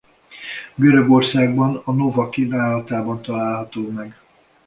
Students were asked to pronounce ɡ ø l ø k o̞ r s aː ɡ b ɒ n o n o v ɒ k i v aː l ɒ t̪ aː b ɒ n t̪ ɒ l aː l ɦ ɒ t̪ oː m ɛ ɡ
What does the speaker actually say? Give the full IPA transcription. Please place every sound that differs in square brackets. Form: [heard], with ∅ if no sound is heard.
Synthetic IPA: ɡ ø [ɾ] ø [ɡ] o̞ r s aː ɡ b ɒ n [ɒ] n o v ɒ k i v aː l ɒ t̪ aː b ɒ n t̪ ɒ l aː l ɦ ɒ t̪ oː m ɛ ɡ